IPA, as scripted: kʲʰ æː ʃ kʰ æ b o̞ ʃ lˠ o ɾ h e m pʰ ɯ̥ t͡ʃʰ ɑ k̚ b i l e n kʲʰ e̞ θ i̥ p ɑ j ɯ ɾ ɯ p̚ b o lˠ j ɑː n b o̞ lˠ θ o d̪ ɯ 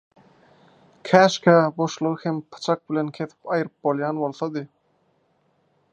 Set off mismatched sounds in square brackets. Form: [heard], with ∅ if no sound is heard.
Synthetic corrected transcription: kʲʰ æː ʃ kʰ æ b o̞ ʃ lˠ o ɾ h e m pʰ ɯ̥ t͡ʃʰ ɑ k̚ b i l e n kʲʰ e̞ θ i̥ p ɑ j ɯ ɾ ɯ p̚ b o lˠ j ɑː n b o̞ lˠ θ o d̪ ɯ